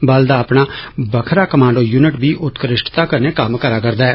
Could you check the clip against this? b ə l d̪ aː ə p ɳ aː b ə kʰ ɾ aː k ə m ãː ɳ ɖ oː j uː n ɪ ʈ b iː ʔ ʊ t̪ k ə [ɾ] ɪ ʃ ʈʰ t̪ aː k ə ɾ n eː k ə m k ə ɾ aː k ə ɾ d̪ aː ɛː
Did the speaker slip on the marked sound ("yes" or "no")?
no